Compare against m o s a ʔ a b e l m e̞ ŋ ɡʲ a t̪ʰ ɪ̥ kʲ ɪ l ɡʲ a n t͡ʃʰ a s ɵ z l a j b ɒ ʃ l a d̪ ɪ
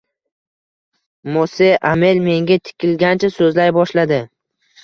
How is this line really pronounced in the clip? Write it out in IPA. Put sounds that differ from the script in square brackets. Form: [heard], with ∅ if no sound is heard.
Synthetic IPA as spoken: m o s [e] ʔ a [m] e l m e̞ ŋ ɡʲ a t̪ʰ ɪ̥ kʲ ɪ l ɡʲ a n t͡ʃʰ a s ɵ z l a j b ɒ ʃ l a d̪ ɪ